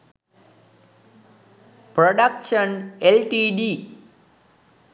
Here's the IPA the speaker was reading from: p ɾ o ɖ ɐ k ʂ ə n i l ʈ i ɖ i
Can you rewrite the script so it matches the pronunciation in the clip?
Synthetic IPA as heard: p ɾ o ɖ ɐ k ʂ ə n e l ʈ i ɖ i